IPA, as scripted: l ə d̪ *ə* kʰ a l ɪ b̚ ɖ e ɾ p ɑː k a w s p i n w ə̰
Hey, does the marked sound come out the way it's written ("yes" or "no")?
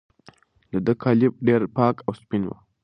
yes